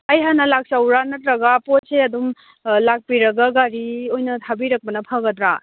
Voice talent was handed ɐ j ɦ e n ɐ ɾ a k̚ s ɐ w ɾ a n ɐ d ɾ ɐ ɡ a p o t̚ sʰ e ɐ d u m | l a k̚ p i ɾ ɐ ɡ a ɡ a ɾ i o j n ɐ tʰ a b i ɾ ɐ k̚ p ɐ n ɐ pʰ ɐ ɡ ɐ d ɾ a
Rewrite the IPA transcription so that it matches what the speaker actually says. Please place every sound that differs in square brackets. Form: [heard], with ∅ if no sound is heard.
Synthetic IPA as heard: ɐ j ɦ [a] n ɐ [l] a k̚ s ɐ w ɾ a n ɐ [t] ɾ ɐ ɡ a p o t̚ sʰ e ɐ d u m | l a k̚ p i ɾ ɐ ɡ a ɡ a ɾ i o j n ɐ tʰ a b i ɾ ɐ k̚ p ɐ n ɐ pʰ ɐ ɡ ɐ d ɾ a

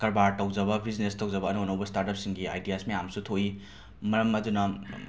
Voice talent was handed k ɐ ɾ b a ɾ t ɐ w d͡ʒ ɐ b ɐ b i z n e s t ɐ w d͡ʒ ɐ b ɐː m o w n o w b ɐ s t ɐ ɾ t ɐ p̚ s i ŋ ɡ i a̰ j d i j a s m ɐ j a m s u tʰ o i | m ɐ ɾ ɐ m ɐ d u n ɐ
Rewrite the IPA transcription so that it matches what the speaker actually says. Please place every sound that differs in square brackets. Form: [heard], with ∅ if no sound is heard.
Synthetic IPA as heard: k ɐ ɾ b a ɾ t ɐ w d͡ʒ ɐ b ɐ b i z n e s t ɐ w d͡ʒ ɐ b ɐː [n] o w n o w b ɐ s t [a] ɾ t ɐ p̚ s i ŋ ɡ i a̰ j d i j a s m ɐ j a m s u tʰ o i | m ɐ ɾ ɐ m ɐ d u n ɐ

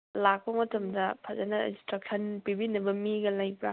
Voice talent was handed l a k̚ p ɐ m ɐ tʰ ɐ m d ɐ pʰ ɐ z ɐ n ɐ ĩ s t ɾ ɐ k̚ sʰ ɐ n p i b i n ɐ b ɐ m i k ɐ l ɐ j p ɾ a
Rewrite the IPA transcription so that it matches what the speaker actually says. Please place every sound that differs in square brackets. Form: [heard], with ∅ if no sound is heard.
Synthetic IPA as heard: l a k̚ p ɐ m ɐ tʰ ɐ m d ɐ pʰ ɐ z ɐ n ɐ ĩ s t ɾ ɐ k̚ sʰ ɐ n p i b i n ɐ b ɐ m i [ɡ] ɐ l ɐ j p ɾ a

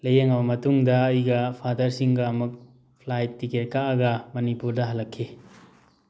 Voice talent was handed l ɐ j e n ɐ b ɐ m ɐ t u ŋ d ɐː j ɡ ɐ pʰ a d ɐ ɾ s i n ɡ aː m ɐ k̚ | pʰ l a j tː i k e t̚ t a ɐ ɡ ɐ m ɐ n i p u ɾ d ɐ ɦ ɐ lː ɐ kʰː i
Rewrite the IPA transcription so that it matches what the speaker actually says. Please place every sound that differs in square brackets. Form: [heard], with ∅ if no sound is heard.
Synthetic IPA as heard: l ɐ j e [ŋ] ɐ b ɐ m ɐ t u ŋ d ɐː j ɡ ɐ pʰ a d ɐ ɾ s i [ŋ] ɡ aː m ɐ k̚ | pʰ l a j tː i k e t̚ [k] a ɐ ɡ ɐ m ɐ n i p u ɾ d ɐ ɦ ɐ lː ɐ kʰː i

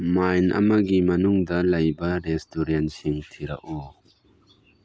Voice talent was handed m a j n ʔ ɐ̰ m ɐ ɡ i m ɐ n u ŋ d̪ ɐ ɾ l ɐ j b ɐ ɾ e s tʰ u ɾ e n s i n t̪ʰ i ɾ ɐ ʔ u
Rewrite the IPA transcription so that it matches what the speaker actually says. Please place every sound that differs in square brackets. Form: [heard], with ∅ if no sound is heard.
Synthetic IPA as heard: m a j n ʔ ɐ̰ m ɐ ɡ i m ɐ n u ŋ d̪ ɐ [∅] l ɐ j b ɐ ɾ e s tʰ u ɾ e n s i [ŋ] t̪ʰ i ɾ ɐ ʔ u

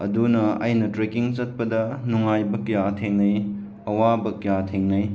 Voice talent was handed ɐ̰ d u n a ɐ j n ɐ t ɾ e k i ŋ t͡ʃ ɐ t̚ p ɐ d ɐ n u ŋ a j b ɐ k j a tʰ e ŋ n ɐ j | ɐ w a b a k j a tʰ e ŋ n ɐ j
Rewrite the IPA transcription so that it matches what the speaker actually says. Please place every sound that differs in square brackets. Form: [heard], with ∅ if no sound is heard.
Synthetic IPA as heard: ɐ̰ d u n [ɐ] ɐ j n ɐ t ɾ e k i ŋ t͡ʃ ɐ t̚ p ɐ d ɐ n u ŋ a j b ɐ k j a tʰ e ŋ n ɐ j | ɐ w a b [ɐ] k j a tʰ e ŋ n ɐ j

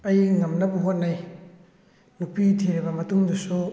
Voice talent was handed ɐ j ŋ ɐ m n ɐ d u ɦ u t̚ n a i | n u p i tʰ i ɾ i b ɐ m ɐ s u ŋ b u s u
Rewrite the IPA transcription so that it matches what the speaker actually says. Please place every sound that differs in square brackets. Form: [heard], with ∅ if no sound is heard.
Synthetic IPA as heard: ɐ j ŋ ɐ m n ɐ [b] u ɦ [o] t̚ n a [j] | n u p i tʰ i ɾ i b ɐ m ɐ [t] u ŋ [d] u s u

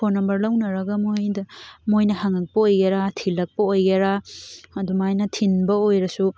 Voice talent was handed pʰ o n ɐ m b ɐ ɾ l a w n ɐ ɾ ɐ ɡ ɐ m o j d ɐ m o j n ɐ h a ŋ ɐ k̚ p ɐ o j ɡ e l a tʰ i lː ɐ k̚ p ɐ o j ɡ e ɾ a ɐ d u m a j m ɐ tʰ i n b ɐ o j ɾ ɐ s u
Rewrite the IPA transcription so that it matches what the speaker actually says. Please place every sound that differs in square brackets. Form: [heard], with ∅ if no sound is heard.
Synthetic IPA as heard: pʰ o n ɐ m b ɐ ɾ l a w n ɐ ɾ ɐ ɡ ɐ m o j d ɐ m o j n ɐ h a ŋ ɐ k̚ p ɐ o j ɡ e [ɾ] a tʰ i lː ɐ k̚ p ɐ o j ɡ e ɾ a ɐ d u m a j [n] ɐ tʰ i n b ɐ o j ɾ ɐ s u

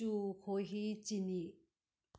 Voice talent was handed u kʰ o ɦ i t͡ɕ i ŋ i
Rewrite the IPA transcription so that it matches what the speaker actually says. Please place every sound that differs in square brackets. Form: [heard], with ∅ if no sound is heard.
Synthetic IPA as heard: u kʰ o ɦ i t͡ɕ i [n] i

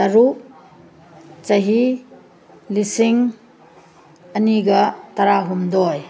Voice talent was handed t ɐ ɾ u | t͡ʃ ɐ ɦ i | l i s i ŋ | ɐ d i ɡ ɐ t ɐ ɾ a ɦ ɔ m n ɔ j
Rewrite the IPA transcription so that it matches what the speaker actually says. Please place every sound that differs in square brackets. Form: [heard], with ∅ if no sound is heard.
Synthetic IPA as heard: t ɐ ɾ u | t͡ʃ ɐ ɦ i | l i s i ŋ | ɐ [n] i ɡ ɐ t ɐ ɾ a ɦ [u] m [d] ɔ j

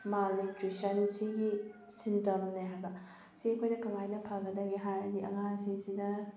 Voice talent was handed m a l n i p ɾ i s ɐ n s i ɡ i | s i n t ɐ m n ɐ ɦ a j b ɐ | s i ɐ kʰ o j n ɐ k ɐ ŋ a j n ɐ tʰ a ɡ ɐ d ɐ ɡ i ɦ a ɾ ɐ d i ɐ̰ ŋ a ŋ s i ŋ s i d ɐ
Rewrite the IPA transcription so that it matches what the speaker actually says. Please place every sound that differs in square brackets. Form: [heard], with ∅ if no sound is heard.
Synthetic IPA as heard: m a l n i [t] ɾ i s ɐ n s i ɡ i | s i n t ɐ m n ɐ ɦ a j b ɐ | s i ɐ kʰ o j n ɐ k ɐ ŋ a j n ɐ [pʰ] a ɡ ɐ d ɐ ɡ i ɦ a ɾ ɐ d i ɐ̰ ŋ a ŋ s i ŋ s i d ɐ

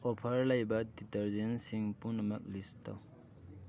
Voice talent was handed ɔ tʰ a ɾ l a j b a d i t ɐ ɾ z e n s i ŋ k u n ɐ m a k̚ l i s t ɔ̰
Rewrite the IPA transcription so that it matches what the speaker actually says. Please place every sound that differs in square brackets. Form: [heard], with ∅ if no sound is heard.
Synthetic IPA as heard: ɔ [pʰ] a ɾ l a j b a d i t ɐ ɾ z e n s i ŋ [p] u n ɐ m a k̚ l i s t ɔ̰

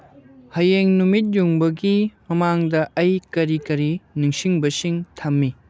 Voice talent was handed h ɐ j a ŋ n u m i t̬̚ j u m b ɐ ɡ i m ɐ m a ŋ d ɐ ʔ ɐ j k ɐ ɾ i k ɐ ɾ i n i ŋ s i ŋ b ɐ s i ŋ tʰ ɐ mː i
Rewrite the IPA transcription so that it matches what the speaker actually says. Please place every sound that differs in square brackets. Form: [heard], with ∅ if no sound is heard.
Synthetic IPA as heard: h ɐ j [e] ŋ n u m i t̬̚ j u [ŋ] b ɐ ɡ i m ɐ m a ŋ d ɐ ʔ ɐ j k ɐ ɾ i k ɐ ɾ i n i ŋ s i ŋ b ɐ s i ŋ tʰ ɐ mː i

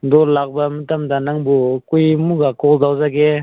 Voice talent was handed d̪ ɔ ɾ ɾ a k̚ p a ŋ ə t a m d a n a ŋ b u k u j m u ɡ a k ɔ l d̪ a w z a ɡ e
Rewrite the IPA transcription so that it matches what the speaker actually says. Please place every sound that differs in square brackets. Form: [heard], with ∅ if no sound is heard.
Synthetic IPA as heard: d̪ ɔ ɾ [l] a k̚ [b] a [m] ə t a m d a n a ŋ b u k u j m u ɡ a k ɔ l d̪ a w z a ɡ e

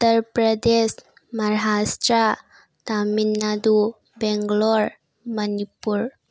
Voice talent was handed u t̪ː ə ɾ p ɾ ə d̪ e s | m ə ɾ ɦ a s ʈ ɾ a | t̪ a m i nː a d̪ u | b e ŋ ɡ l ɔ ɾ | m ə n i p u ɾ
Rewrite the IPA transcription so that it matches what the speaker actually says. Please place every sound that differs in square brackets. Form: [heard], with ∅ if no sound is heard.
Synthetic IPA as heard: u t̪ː ə ɾ p ɾ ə d̪ e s | m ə ɾ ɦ a s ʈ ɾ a | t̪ a m i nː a d̪ u | b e ŋ ɡ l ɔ ɾ | m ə n i p u ɾ

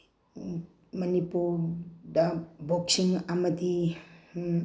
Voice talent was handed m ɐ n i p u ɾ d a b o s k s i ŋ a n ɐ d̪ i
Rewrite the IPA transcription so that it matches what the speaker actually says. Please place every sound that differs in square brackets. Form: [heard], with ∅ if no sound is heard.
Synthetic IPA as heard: m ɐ n i p u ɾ d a b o [∅] k s i ŋ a [m] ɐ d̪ i

